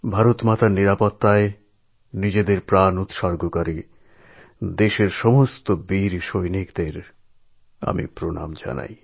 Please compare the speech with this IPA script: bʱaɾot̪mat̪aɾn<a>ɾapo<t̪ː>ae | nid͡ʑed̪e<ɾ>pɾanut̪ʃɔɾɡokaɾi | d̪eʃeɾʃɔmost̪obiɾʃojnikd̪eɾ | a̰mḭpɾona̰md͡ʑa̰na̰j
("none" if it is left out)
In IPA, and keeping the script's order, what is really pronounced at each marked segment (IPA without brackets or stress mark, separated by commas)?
i, t̪ː, ɾ